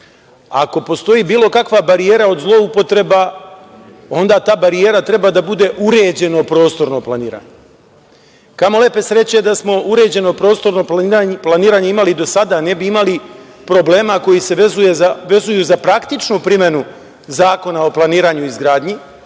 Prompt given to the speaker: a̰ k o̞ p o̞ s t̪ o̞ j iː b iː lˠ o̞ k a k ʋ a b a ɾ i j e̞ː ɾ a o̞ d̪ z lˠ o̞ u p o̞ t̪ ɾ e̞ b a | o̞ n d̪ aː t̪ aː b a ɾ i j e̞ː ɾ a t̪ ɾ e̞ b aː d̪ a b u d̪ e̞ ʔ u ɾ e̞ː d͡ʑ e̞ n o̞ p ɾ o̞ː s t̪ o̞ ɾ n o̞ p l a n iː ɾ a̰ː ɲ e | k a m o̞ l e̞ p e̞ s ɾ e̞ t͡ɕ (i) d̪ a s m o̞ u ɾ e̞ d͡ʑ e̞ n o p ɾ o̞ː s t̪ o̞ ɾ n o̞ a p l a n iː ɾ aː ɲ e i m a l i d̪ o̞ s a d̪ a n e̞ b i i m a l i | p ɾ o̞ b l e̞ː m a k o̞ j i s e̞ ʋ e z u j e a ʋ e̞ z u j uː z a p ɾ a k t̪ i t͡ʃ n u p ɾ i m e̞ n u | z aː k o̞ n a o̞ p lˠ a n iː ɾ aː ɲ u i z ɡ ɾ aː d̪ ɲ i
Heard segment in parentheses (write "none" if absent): e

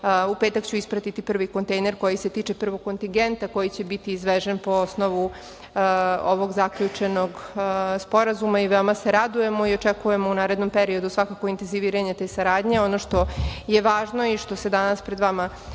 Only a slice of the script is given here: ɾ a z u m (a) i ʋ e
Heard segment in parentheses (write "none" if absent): a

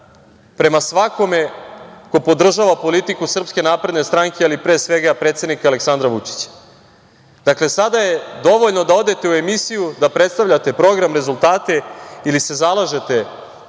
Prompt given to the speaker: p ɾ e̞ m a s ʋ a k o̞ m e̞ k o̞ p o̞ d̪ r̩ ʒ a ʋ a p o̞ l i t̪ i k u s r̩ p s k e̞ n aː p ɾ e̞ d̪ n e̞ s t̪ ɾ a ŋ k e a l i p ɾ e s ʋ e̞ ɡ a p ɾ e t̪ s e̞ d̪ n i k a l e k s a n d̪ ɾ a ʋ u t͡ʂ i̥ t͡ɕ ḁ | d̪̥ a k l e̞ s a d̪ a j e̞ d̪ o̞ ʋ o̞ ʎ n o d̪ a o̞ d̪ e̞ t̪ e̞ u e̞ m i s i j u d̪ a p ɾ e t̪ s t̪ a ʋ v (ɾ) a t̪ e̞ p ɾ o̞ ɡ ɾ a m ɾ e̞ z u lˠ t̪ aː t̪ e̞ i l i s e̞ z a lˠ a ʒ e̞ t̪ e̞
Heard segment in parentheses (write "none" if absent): ʎ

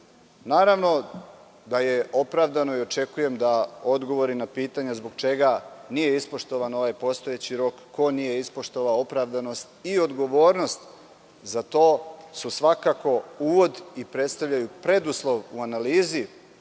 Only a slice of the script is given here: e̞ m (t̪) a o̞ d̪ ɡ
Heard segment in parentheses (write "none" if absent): d̪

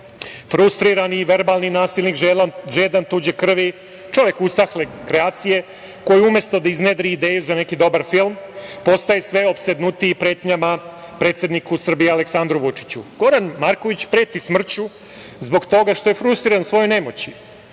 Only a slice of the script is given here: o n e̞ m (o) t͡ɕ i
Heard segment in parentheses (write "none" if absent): o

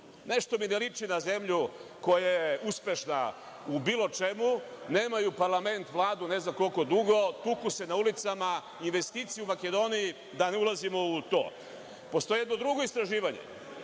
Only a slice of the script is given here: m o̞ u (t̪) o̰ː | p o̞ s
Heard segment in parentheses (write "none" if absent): t̪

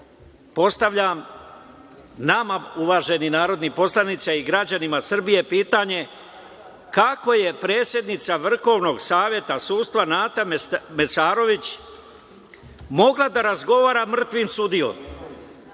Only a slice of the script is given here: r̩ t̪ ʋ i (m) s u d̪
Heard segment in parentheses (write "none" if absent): m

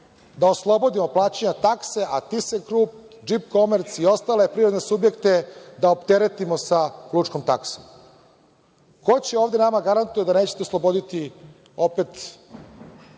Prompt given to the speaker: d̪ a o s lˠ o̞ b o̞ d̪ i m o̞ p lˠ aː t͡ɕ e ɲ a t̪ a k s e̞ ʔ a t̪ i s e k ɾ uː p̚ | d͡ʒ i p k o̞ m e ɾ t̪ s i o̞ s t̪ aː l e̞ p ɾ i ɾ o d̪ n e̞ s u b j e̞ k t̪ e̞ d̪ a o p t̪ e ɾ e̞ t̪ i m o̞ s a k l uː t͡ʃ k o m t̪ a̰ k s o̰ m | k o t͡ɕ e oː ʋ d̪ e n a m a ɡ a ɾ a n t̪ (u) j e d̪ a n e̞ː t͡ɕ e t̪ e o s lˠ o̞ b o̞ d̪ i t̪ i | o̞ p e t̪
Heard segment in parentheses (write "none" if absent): u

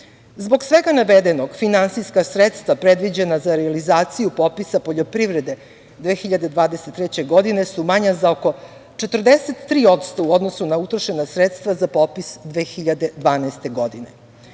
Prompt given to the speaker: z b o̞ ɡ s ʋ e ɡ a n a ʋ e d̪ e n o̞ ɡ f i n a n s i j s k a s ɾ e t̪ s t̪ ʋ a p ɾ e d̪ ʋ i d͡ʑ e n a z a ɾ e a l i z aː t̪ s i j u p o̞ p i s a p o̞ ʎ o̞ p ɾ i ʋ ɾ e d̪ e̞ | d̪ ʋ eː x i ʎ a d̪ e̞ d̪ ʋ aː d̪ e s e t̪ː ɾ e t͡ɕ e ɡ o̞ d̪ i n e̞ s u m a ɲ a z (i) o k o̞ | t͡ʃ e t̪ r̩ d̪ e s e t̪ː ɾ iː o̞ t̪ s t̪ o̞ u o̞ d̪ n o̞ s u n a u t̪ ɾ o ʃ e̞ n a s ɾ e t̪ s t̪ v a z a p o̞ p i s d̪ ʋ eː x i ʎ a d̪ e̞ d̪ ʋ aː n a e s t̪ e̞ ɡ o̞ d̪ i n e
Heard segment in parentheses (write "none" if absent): a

